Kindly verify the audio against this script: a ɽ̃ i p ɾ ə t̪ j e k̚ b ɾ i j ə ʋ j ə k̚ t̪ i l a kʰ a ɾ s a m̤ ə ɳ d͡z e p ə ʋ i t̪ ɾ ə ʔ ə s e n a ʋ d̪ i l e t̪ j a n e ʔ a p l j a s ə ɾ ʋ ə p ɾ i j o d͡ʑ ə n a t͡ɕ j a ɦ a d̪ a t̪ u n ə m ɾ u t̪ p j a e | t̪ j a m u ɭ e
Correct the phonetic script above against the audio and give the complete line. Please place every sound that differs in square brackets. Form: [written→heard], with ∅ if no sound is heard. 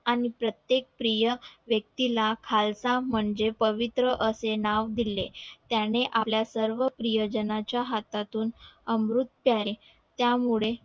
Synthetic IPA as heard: a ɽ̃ i p ɾ ə t̪ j e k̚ [b→p] ɾ i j ə ʋ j ə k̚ t̪ i l a kʰ a [ɾ→l] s a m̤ ə ɳ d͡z e p ə ʋ i t̪ ɾ ə ʔ ə s e n a ʋ d̪ i l e t̪ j a n e ʔ a p l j a s ə ɾ ʋ ə p ɾ i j o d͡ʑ ə n a t͡ɕ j a ɦ a [d̪→t̪] a t̪ [u→uː] n ə m ɾ u t̪ p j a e | t̪ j a m u ɭ e